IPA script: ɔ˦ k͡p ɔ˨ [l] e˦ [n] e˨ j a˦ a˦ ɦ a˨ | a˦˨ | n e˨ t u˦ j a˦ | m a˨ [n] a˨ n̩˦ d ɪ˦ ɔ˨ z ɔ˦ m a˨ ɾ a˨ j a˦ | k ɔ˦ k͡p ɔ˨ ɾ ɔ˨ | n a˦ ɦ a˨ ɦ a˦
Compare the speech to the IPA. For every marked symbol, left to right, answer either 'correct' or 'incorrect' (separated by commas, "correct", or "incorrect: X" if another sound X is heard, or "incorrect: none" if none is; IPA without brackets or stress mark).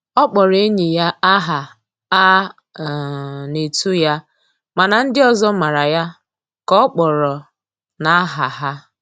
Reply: incorrect: ɾ, incorrect: ɲ, correct